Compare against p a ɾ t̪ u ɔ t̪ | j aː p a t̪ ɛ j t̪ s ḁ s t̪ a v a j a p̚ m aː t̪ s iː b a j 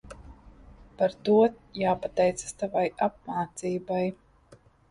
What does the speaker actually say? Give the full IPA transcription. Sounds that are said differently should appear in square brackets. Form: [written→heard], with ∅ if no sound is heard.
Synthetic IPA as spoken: p a ɾ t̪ u ɔ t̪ | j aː p a t̪ ɛ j t̪ s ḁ s t̪ a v a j a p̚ m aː t̪ s iː b a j